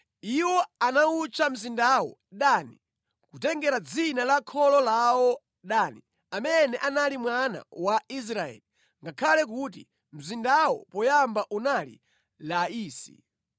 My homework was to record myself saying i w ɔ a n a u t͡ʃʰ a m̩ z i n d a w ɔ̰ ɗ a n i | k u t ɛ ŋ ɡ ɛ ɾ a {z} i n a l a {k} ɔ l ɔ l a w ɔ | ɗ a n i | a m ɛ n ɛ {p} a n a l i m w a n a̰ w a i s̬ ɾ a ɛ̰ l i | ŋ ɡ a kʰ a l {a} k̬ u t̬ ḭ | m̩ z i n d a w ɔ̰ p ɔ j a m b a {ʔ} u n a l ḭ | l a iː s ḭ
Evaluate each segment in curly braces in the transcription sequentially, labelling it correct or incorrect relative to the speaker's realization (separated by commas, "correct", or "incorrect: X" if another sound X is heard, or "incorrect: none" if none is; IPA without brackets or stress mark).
incorrect: d͡z, incorrect: kʰ, incorrect: ʔ, incorrect: ɛ, correct